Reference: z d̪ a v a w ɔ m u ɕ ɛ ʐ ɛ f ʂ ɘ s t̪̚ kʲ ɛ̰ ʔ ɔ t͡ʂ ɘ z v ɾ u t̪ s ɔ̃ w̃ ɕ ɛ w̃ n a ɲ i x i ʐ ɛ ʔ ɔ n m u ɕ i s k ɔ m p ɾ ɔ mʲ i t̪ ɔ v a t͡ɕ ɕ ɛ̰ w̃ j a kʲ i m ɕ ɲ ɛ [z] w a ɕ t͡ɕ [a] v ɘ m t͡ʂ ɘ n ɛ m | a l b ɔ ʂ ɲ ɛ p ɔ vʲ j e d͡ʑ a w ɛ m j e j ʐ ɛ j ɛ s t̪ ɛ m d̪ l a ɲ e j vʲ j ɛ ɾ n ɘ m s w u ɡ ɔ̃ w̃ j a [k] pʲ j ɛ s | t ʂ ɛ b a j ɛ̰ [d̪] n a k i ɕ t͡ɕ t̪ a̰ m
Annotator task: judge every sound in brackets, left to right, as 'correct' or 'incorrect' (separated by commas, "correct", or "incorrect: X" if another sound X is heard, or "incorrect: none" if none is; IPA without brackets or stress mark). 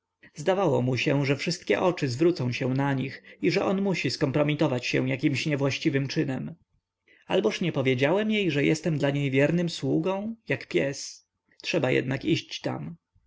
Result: incorrect: v, incorrect: i, correct, correct